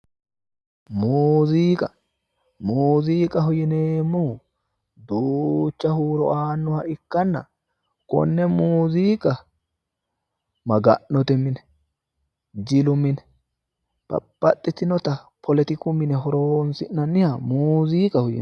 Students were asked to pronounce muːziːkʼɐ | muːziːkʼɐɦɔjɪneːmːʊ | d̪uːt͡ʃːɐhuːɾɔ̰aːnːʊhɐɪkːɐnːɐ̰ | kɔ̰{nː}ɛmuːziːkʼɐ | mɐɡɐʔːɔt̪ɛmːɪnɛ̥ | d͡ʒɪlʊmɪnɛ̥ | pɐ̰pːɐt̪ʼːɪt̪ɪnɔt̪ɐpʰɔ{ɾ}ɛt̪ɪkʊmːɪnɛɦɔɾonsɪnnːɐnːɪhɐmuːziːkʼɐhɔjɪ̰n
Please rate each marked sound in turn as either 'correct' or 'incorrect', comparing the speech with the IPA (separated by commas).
correct, incorrect